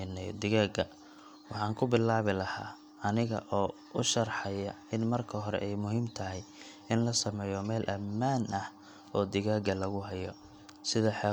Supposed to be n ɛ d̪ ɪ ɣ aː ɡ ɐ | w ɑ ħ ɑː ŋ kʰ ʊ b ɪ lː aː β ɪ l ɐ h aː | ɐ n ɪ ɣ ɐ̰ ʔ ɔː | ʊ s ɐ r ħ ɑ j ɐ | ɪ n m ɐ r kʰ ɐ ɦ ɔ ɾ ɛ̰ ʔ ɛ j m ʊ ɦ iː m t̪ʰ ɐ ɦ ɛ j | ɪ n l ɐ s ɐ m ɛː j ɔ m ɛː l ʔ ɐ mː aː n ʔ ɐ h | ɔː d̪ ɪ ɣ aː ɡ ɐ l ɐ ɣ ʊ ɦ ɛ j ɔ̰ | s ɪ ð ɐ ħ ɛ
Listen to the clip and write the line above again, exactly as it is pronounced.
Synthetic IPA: n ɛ d̪ ɪ ɣ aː ɡ ɐ | w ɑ ħ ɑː ŋ kʰ ʊ b ɪ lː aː β ɪ l ɐ h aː | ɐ n ɪ ɣ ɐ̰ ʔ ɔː | ʊ ʃ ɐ r ħ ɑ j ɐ | ɪ n m ɐ r kʰ ɐ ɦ ɔ ɾ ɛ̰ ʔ ɛ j m ʊ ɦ iː m t̪ʰ ɐ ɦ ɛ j | ɪ n l ɐ s ɐ m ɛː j ɔ m ɛː l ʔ ɐ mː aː n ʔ ɐ h | ɔː d̪ ɪ ɣ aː ɡ ɐ l ɐ ɣ ʊ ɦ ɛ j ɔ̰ | s ɪ ð ɐ ħ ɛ